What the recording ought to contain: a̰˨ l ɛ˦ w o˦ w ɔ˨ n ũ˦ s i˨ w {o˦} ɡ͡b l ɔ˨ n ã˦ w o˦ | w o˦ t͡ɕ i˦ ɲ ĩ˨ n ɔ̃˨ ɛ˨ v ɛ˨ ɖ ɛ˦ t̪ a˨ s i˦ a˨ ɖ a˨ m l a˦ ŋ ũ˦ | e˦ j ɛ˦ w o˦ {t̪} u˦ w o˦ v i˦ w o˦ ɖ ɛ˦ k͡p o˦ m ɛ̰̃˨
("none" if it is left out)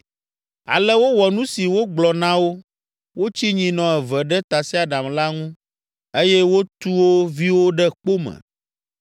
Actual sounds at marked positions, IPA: o˦, t̪

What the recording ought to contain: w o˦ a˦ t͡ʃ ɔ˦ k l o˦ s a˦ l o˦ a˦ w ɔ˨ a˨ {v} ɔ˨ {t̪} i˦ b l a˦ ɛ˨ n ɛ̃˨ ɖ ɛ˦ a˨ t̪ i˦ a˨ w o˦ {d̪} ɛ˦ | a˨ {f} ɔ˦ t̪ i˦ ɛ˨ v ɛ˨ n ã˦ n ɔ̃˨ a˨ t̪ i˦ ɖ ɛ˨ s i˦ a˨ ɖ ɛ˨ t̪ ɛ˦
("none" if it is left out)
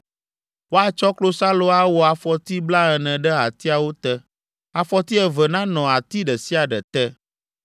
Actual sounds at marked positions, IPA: f, t̪, t̪, f

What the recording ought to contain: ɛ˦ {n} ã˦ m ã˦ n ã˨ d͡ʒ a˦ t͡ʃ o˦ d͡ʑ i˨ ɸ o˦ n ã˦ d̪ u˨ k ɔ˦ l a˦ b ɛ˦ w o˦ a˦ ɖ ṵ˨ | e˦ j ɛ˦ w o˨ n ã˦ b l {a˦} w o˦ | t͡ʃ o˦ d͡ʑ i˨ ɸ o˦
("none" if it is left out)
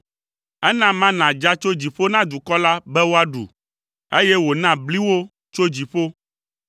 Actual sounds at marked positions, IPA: n, i˦

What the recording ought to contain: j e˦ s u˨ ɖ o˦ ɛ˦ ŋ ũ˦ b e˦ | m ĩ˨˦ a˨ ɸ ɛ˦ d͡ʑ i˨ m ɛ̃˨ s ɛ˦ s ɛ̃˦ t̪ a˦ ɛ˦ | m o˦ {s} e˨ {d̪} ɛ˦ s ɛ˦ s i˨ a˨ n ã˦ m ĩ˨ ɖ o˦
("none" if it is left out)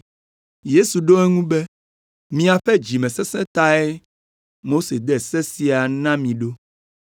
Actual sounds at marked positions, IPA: s, d̪

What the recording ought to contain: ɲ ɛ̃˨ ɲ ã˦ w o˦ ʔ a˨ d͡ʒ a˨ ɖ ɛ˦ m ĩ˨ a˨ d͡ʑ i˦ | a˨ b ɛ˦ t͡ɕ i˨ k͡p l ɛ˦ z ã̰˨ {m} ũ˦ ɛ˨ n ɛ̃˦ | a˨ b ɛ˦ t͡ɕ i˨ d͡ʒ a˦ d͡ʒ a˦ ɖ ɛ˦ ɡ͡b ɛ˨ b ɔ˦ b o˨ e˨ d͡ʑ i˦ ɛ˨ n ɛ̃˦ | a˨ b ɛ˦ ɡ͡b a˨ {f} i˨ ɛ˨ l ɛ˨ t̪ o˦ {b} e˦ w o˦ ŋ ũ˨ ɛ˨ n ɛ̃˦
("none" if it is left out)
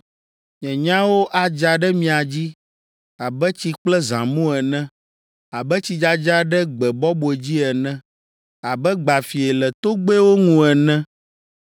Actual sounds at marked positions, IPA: m, f, ɡ͡b

